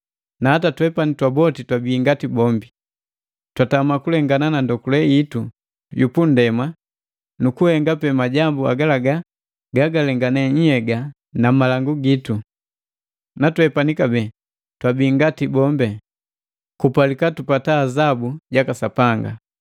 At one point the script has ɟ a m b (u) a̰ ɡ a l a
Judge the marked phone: correct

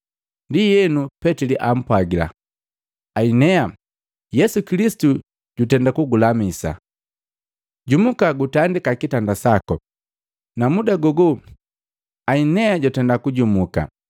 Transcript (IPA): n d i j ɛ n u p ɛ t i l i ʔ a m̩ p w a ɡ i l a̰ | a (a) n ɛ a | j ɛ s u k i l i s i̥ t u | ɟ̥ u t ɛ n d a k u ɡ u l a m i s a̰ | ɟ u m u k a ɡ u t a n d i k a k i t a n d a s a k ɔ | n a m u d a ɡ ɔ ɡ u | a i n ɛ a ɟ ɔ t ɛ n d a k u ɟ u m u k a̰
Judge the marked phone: incorrect: i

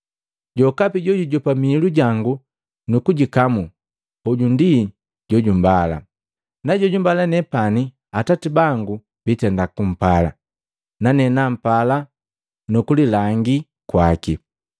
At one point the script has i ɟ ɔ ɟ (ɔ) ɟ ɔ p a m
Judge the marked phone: incorrect: u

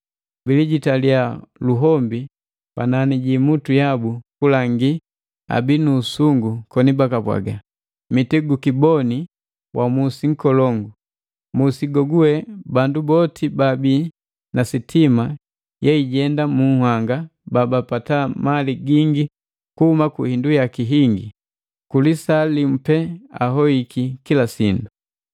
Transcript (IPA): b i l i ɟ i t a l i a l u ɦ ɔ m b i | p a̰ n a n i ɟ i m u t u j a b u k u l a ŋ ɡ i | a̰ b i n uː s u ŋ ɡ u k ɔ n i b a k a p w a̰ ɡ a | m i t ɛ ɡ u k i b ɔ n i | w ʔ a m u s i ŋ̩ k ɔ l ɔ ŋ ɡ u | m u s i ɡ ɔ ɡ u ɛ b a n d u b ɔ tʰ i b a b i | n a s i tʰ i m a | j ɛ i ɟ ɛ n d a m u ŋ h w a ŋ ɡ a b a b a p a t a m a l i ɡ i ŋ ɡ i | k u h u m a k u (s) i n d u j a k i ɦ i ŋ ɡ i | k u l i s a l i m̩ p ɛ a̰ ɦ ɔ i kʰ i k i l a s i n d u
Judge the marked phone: incorrect: h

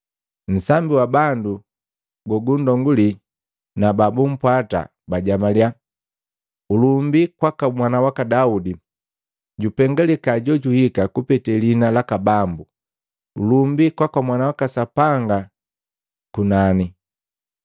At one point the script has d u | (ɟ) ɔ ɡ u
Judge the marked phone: incorrect: ɡ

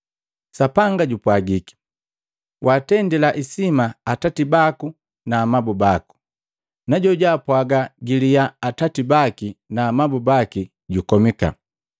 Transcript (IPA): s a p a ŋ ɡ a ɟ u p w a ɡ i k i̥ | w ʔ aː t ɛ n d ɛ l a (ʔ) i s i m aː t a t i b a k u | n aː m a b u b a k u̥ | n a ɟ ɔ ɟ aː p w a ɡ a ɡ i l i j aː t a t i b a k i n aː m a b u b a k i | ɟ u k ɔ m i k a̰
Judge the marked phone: correct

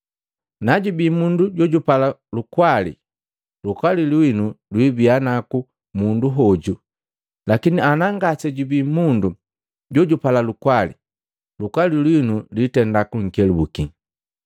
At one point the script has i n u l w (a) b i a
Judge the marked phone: incorrect: i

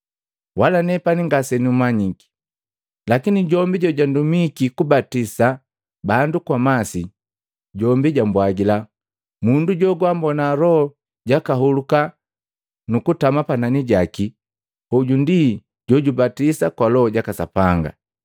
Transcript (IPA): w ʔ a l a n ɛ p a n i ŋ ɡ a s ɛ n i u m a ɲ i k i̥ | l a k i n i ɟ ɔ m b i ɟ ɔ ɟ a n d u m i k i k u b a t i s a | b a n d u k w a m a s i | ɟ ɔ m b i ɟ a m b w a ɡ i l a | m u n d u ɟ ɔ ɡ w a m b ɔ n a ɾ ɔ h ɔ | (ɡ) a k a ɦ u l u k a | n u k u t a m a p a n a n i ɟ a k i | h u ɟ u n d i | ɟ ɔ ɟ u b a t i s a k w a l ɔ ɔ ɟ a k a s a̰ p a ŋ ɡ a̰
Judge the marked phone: incorrect: ɟ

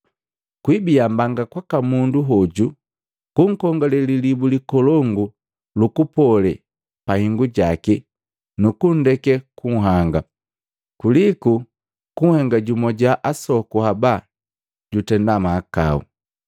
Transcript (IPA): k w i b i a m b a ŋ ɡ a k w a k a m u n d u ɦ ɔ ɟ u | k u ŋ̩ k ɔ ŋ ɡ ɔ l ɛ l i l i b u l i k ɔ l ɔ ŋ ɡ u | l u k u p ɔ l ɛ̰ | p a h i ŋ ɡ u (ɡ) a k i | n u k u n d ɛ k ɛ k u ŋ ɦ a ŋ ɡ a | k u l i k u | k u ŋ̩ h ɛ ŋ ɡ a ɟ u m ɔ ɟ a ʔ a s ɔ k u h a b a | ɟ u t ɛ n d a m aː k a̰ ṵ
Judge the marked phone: incorrect: ɟ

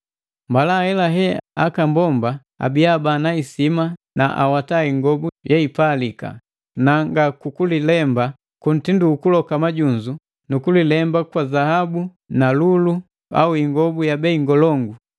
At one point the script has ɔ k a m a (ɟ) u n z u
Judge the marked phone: correct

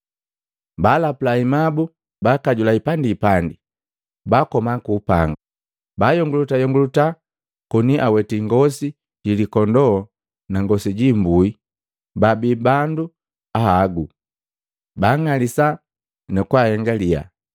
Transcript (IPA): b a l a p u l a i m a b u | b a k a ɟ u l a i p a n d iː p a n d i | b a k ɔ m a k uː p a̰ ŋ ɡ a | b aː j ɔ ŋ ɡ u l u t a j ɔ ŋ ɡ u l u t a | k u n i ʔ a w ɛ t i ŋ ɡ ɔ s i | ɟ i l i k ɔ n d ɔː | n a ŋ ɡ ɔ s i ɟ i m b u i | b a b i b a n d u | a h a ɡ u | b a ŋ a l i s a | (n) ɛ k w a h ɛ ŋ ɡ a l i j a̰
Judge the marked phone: correct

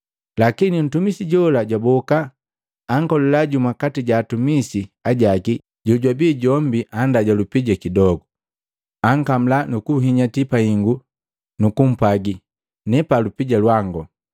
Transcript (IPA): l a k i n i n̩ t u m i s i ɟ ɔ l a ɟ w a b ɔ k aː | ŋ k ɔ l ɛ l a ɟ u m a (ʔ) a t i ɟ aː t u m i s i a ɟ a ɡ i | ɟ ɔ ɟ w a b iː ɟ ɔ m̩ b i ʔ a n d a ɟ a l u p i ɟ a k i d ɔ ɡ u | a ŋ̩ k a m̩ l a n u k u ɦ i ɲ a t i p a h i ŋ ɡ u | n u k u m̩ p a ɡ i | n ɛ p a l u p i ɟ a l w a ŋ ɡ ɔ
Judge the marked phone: incorrect: k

